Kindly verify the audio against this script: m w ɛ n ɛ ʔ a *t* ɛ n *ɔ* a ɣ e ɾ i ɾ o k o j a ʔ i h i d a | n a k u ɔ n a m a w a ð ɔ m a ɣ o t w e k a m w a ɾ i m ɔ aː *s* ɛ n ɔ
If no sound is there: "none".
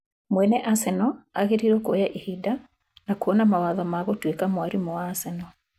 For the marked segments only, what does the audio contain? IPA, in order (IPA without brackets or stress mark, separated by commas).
s, ɔ, s